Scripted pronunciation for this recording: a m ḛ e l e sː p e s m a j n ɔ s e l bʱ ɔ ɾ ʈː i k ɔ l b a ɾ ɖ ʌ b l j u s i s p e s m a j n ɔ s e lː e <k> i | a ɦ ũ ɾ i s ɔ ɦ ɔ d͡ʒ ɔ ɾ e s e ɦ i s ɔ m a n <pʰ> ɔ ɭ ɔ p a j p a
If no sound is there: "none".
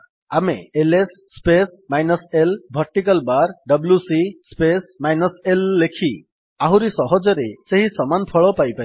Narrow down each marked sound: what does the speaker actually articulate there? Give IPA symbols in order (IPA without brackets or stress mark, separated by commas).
kʰ, pʰ